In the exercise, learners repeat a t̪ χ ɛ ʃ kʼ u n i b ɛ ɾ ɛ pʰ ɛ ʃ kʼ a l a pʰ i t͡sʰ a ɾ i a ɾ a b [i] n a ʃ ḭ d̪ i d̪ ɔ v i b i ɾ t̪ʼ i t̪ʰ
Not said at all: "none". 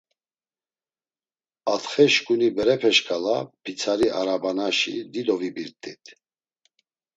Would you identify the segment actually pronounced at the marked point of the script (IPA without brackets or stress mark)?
a